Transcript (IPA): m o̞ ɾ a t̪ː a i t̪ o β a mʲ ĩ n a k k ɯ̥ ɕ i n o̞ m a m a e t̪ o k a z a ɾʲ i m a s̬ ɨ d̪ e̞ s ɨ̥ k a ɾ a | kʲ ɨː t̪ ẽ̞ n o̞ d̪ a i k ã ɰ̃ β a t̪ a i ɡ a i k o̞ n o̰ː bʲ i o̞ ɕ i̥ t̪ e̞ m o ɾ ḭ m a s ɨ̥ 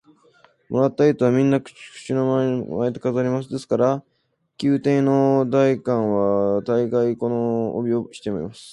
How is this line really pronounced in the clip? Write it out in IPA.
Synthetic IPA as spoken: m o̞ ɾ a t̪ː a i t̪ o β a mʲ ĩ nː a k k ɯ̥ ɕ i n o̞ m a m a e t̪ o k a z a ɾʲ i m a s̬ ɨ d̪ e̞ s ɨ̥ k a ɾ a | kʲ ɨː t̪ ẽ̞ n o̞ d̪ a i k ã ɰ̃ β a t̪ a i ɡ a i k o̞ n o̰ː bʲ i o̞ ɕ i̥ t̪ e̞ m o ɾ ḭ m a s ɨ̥